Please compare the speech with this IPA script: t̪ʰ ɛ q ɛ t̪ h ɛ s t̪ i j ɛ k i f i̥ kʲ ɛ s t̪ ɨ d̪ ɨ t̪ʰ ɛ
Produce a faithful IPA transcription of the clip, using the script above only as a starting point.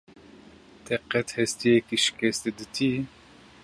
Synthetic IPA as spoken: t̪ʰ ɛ q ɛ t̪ h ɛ s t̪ i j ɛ k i ʃ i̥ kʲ ɛ s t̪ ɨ d̪ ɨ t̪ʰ i